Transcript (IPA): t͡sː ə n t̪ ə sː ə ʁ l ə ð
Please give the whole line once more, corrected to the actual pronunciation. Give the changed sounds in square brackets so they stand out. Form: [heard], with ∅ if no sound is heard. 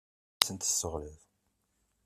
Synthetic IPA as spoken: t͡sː ə n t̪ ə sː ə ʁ l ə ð